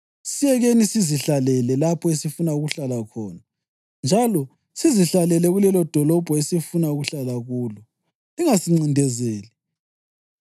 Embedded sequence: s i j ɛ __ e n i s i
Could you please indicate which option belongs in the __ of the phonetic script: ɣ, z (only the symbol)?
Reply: ɣ